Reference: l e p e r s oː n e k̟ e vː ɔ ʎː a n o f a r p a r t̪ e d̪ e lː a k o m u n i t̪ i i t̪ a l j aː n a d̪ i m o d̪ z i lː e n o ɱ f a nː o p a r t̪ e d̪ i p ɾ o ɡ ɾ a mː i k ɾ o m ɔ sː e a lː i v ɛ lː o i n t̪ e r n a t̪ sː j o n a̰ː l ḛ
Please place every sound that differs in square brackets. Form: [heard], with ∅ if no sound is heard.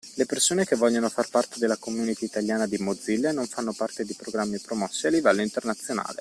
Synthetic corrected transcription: l e p e r s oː n e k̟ e vː ɔ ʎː a n o f a r p a r t̪ e d̪ e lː a k o m u n i t̪ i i t̪ a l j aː n a d̪ i m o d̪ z i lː e n o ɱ f a nː o p a r t̪ e d̪ i p ɾ o ɡ ɾ a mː i [p] ɾ o m ɔ sː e a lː i v ɛ lː o i n t̪ e r n a t̪ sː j o n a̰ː l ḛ

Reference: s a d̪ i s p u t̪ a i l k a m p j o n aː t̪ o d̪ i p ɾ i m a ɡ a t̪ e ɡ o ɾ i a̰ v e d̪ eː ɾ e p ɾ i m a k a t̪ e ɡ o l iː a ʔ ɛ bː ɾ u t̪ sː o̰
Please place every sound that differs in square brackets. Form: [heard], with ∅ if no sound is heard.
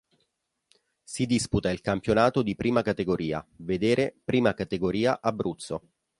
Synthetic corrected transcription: s [i] d̪ i s p u t̪ a i l k a m p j o n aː t̪ o d̪ i p ɾ [iː] m a [k] a t̪ e ɡ o ɾ [iː] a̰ v e d̪ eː ɾ e p ɾ [iː] m a k a t̪ e ɡ o [ɾ] iː a ʔ [a] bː ɾ u t̪ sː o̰

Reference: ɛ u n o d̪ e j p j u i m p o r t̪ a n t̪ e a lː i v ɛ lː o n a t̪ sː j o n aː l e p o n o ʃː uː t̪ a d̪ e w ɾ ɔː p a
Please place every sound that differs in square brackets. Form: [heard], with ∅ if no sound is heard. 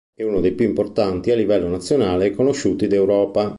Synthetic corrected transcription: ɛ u n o d̪ e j p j u i m p o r t̪ a n t̪ [i] a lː i v ɛ lː o n a t̪ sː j o n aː l e [k] o n o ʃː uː t̪ [i] d̪ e w ɾ ɔː p a

